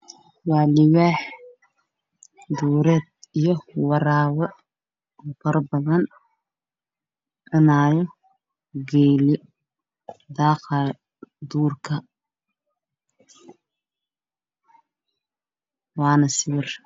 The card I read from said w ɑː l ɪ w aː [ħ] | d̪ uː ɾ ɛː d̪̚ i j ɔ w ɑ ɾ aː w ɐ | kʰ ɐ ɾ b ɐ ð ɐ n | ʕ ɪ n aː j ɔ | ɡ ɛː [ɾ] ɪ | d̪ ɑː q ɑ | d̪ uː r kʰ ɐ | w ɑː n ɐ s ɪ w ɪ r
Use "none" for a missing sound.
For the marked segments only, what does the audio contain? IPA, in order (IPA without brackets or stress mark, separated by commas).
ħ, l